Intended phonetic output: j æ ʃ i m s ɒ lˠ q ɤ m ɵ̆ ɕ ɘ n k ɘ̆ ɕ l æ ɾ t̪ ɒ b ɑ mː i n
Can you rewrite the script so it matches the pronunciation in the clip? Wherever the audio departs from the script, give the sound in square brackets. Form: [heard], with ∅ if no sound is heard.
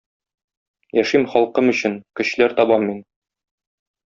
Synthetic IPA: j æ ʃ i m [χ] ɒ lˠ q ɤ m ɵ̆ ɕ ɘ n k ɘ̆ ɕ l æ ɾ t̪ ɒ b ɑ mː i n